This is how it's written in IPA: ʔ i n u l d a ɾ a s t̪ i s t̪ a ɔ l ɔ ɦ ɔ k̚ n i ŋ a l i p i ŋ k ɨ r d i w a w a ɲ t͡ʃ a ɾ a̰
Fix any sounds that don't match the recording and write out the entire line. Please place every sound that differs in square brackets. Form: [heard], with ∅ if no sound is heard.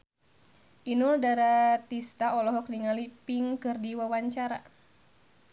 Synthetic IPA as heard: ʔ i n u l d a ɾ a [∅] t̪ i s t̪ a ɔ l ɔ ɦ ɔ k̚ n i ŋ a l i p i ŋ k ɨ r d i w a w a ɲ t͡ʃ a ɾ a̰

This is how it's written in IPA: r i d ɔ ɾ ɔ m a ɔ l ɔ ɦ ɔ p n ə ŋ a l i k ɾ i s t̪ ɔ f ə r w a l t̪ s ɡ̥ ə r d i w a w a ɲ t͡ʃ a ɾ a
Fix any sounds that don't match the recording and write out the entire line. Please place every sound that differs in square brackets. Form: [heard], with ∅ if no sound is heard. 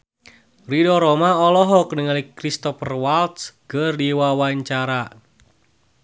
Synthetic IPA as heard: r i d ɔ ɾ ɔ m a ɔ l ɔ ɦ ɔ [k] n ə ŋ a l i k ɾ i s t̪ ɔ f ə r w a l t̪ s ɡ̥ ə r d i w a w a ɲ t͡ʃ a ɾ a

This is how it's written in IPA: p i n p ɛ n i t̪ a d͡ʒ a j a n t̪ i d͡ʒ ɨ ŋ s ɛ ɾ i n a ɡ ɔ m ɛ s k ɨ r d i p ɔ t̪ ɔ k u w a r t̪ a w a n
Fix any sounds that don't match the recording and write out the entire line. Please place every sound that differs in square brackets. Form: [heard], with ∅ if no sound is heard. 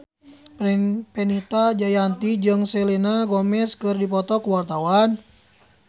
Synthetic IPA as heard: p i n p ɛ n i t̪ a d͡ʒ a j a n t̪ i d͡ʒ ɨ ŋ s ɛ [l] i n a ɡ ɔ m ɛ s k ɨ r d i p ɔ t̪ ɔ k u w a r t̪ a w a n

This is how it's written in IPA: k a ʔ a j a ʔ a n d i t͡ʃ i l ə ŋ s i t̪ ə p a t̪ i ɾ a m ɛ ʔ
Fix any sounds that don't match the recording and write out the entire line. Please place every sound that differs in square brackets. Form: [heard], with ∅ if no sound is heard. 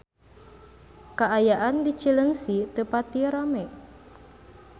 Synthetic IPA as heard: k a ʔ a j a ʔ a n d i t͡ʃ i l ə ŋ s i t̪ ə p a t̪ i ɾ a m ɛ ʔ

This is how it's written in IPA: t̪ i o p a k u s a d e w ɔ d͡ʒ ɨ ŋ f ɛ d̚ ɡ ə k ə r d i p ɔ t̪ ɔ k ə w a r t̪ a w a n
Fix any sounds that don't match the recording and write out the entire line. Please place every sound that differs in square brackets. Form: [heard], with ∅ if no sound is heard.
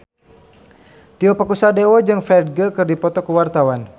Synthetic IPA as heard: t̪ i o p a k u s a d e w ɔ d͡ʒ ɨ ŋ f ɛ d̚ ɡ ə k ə r d i p ɔ t̪ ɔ k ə w a r t̪ a w a n

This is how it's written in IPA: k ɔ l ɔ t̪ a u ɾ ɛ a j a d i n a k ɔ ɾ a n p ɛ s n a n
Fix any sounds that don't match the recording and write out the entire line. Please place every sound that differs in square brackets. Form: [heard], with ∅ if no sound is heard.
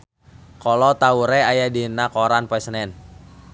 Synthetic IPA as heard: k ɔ l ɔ t̪ a u ɾ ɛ a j a d i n a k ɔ ɾ a n p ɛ s n [ɛ] n

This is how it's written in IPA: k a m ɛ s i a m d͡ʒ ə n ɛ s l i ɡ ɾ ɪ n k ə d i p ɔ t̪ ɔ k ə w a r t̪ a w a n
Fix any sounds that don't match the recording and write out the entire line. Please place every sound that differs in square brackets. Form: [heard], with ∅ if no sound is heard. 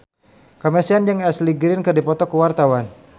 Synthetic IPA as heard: k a m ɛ s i a [n] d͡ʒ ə [ŋ] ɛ s l i ɡ ɾ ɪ n k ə d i p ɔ t̪ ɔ k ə w a r t̪ a w a n

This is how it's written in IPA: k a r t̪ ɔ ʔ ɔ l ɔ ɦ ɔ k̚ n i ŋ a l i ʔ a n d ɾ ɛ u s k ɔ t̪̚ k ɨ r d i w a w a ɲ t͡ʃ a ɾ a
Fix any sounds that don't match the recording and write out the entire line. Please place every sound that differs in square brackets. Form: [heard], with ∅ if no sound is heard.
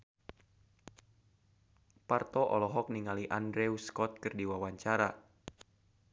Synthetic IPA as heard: [p] a r t̪ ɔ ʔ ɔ l ɔ ɦ ɔ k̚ n i ŋ a l i ʔ a n d ɾ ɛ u s k ɔ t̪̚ k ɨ r d i w a w a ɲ t͡ʃ a ɾ a

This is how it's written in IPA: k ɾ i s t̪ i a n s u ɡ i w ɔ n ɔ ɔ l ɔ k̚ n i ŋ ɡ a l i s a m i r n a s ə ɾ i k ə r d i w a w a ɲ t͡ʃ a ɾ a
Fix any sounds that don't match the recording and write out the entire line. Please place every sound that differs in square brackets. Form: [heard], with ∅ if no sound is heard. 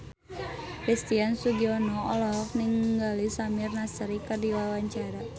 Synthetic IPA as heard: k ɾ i s t̪ i a n s u ɡ i [∅] ɔ n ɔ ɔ l ɔ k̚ n i ŋ ɡ a l i s a m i r n a s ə ɾ i k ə r d i w a w a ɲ t͡ʃ a ɾ a

